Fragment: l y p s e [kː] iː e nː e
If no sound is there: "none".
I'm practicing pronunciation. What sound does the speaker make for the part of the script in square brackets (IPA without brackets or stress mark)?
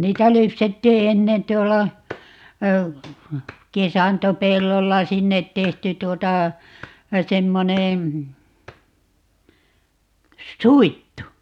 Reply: tː